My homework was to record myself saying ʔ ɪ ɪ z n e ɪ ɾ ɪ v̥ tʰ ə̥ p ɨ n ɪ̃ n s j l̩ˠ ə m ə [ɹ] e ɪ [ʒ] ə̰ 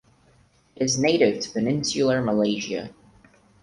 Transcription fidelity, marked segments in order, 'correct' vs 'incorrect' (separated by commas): incorrect, correct